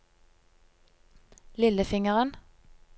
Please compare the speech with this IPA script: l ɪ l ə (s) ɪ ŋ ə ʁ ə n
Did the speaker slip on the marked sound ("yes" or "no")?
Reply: yes